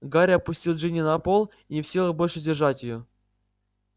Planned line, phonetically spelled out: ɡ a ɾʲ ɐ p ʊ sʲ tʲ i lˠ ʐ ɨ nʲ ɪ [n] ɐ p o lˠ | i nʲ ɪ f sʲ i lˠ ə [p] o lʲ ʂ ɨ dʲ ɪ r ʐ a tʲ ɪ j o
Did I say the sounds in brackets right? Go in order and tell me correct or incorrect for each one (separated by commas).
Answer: correct, incorrect